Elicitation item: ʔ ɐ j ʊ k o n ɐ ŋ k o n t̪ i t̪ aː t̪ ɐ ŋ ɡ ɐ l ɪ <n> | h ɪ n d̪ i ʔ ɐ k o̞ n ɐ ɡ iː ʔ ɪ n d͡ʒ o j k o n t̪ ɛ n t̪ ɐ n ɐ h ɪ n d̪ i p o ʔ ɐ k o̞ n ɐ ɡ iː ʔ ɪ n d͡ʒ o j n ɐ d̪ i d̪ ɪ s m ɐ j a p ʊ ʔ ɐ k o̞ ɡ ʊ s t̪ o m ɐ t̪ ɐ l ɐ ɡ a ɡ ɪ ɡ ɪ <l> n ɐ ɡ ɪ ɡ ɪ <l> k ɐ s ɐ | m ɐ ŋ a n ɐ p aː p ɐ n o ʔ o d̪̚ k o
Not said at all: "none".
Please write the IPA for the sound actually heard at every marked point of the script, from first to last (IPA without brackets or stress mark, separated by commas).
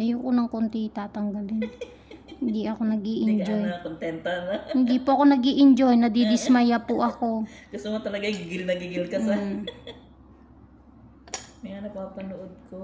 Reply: n, l, l